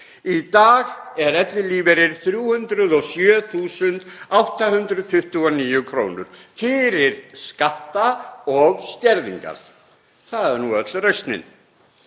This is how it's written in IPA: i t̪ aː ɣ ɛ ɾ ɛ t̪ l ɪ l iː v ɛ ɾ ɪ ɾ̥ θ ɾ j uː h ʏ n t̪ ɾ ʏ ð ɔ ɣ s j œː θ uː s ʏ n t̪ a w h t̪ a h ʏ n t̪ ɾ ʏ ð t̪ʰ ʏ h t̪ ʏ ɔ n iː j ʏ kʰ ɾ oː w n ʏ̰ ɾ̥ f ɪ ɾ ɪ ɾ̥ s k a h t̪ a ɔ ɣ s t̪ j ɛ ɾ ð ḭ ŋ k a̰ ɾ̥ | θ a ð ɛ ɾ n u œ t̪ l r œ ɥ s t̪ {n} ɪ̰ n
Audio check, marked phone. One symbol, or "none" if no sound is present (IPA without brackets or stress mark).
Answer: n